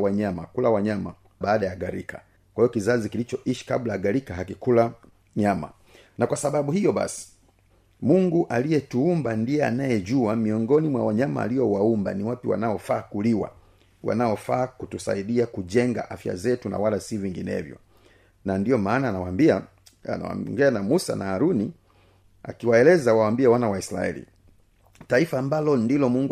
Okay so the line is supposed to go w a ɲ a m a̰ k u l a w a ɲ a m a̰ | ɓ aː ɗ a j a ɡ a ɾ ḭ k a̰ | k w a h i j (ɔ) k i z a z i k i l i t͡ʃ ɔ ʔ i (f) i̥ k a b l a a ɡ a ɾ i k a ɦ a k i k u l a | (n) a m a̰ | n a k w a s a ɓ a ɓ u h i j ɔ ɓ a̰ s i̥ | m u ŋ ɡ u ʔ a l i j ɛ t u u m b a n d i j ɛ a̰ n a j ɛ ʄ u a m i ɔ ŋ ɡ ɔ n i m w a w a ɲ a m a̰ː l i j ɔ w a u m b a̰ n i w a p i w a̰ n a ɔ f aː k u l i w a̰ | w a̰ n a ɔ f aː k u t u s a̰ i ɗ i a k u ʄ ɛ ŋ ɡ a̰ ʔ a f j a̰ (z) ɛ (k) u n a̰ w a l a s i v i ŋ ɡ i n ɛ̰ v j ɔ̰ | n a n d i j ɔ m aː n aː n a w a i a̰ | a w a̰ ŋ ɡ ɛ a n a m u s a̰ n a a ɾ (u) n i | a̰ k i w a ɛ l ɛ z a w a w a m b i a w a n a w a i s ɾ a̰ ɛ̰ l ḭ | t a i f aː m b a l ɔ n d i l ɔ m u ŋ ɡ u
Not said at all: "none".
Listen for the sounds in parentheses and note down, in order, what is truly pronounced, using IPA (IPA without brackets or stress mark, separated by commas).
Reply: ɔ, ʃ, ɲ, z, t, u